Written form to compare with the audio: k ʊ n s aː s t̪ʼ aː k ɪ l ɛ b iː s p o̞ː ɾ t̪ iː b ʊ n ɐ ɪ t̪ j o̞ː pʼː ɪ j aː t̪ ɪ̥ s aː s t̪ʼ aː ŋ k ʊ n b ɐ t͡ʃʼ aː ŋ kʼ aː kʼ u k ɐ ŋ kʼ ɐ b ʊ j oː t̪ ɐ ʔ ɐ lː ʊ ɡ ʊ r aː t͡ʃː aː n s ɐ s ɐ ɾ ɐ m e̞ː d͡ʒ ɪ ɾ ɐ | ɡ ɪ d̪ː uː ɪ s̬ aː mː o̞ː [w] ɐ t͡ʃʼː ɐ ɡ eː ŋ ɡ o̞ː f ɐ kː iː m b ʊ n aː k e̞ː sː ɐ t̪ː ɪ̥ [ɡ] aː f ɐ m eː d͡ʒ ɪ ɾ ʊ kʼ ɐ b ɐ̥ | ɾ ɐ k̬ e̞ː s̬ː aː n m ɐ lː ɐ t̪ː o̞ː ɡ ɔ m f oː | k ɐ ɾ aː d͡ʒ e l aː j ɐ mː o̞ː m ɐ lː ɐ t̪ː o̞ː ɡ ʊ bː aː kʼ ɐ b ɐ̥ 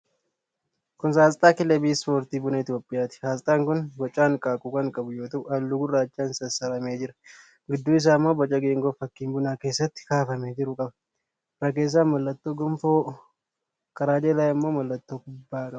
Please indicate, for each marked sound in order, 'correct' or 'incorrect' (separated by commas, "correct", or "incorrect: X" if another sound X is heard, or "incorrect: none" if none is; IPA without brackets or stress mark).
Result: incorrect: b, incorrect: k